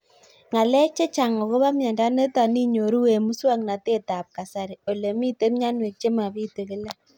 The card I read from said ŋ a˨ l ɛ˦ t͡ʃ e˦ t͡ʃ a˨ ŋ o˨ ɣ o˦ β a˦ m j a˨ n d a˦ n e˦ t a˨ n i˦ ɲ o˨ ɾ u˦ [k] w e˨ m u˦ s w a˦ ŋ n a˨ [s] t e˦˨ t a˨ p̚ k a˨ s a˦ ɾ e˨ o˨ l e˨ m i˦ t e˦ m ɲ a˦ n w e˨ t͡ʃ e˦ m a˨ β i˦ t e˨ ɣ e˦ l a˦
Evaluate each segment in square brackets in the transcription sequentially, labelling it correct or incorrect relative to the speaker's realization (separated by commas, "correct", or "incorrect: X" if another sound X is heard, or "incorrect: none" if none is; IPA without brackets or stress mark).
incorrect: none, incorrect: none